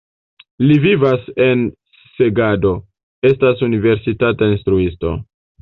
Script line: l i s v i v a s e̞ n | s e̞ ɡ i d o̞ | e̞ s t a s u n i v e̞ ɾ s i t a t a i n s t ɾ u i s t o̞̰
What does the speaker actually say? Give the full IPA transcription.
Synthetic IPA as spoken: l i v i v a s e̞ n | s e̞ ɡ a d o̞ | e̞ s t a s u n i v e̞ ɾ s i t a t a i n s t ɾ u i s t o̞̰